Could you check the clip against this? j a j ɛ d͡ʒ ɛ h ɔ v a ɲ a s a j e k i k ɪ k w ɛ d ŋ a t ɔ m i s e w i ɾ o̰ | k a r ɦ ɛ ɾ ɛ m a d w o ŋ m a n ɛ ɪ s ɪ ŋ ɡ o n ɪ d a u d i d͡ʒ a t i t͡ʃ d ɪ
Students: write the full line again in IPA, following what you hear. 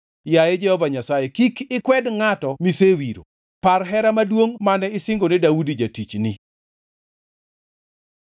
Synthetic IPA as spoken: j a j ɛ d͡ʒ ɛ h ɔ v a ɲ a s a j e k i k ɪ k w ɛ d ŋ a t ɔ m i s e w i ɾ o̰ | p a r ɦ ɛ ɾ a m a d w o ŋ m a n ɛ ɪ s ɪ ŋ ɡ o n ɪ d a u d i d͡ʒ a t i t͡ʃ n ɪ